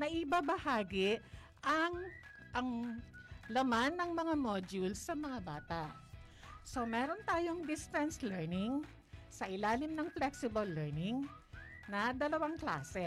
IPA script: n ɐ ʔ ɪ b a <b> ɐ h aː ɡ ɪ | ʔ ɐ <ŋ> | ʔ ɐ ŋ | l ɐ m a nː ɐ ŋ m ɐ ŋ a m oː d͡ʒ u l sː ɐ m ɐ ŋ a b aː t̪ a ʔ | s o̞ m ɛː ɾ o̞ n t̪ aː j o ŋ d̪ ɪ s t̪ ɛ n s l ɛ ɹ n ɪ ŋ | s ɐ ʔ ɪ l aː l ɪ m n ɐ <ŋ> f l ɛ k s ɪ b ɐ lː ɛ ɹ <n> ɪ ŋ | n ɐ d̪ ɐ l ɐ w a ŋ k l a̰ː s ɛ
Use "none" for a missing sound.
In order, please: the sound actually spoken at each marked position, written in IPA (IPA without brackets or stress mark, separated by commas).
b, ŋ, ŋ, n